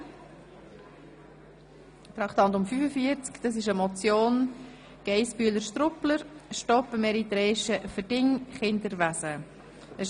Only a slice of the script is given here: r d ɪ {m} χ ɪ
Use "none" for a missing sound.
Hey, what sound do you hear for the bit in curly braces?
ŋ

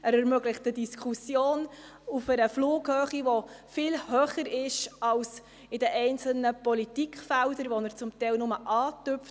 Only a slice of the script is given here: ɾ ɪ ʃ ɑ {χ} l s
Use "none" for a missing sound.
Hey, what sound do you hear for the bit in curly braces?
none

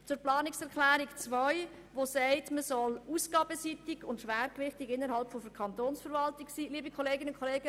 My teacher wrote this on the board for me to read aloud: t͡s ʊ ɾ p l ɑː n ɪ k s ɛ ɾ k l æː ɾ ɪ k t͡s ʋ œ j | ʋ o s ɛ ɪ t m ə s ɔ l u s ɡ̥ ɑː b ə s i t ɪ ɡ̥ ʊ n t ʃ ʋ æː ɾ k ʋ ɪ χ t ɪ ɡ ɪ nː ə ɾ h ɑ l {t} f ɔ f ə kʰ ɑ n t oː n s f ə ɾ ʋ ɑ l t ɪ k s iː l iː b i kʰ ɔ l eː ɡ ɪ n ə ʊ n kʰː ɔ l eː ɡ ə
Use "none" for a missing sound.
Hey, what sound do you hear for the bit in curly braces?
p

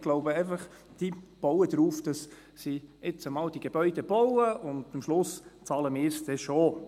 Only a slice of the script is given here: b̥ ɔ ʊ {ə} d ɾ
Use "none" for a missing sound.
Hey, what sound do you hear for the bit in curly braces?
ə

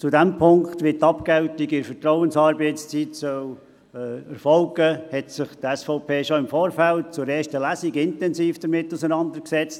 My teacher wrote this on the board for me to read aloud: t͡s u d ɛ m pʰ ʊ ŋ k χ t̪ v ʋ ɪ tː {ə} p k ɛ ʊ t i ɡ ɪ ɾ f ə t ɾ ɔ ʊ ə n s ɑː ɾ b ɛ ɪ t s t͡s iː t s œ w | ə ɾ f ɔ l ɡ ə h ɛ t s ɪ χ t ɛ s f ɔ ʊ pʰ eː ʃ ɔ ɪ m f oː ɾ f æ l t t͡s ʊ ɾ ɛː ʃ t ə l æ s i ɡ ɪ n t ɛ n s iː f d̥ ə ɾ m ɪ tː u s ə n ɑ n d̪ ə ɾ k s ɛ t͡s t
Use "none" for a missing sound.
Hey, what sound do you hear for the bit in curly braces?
ɑ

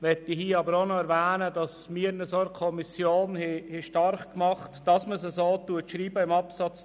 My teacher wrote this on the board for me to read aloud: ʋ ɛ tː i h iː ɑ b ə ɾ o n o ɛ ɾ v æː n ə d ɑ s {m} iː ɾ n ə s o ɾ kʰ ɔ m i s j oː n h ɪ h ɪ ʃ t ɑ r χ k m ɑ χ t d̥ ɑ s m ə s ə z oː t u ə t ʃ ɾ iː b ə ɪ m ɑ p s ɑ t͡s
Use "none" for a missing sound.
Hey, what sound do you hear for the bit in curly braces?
m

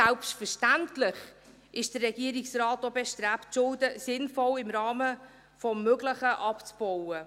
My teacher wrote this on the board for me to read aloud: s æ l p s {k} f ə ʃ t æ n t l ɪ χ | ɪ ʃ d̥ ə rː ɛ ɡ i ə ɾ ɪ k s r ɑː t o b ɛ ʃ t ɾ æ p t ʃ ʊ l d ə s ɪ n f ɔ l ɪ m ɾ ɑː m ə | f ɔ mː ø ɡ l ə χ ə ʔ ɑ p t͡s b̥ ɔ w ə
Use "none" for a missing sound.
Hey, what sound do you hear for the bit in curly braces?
t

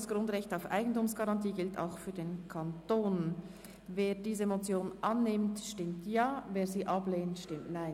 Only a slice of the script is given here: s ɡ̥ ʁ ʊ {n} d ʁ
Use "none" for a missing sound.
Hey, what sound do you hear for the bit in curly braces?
n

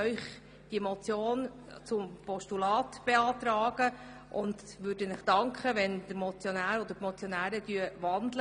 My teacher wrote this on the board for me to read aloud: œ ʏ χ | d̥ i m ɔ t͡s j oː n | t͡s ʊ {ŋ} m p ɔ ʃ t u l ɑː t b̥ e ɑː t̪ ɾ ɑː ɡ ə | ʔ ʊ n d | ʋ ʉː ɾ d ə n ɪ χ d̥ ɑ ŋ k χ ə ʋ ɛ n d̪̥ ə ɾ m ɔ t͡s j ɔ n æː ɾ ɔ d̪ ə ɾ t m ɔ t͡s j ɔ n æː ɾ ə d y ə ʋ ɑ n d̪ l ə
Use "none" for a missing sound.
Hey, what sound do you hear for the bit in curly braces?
none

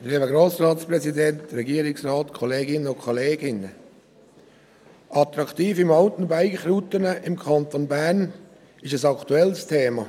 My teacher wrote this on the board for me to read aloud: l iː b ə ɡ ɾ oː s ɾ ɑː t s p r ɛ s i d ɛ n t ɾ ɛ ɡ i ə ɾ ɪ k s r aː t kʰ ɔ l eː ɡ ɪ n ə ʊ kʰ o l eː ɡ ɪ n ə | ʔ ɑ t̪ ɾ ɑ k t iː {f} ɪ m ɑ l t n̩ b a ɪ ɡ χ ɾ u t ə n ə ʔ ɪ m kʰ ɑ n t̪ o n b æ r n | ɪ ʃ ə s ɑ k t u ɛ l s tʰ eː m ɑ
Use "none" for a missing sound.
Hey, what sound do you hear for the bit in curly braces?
f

